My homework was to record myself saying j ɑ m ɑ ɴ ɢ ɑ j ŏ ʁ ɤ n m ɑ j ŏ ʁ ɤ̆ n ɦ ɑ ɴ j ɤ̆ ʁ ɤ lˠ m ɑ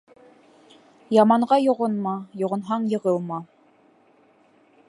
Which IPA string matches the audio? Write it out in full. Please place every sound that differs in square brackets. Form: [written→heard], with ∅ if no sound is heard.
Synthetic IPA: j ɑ m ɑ ɴ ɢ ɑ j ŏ ʁ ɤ n m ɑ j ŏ ʁ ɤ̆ n ɦ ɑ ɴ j ɤ̆ ʁ ɤ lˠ m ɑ